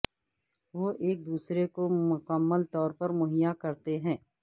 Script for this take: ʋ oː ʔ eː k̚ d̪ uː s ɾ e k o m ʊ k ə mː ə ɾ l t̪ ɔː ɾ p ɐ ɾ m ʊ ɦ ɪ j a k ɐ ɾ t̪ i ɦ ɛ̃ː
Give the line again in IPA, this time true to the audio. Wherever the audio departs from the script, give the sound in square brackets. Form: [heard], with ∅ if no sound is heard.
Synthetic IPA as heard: ʋ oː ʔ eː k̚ d̪ uː s ɾ e k o m ʊ k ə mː ə [∅] l t̪ ɔː ɾ p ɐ ɾ m ʊ ɦ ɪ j a k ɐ ɾ t̪ [e] ɦ ɛ̃ː